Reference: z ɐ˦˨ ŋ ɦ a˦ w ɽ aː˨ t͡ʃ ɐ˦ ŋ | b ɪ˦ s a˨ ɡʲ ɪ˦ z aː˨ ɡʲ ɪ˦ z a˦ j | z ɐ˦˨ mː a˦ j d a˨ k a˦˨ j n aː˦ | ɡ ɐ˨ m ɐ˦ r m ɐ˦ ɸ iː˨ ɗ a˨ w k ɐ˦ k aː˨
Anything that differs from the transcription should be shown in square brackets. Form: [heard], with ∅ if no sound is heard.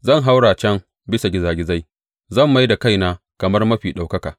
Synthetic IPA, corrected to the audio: z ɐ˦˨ ŋ ɦ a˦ w ɽ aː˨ t͡ʃ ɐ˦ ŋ | b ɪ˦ s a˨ ɡʲ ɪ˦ z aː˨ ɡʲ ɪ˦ z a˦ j | z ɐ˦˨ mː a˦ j d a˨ k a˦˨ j n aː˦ | [k] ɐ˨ m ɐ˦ r m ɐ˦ ɸ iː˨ ɗ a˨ w k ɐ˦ k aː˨